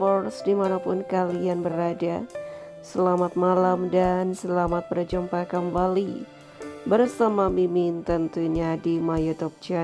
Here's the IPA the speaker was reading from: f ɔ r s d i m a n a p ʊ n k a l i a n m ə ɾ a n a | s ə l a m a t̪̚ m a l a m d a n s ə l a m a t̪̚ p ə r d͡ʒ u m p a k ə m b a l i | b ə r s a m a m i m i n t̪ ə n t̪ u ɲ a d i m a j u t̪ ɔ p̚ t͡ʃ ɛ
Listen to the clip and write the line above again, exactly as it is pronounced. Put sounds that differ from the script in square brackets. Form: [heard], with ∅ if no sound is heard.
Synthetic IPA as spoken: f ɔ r s d i m a n a p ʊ n k a l i a n [b] ə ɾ a [d] a | s ə l a m a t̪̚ m a l a m d a n s ə l a m a t̪̚ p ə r d͡ʒ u m p a k ə m b a l i | b ə r s a m a m i m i n t̪ ə n t̪ u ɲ a d i m a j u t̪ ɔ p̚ t͡ʃ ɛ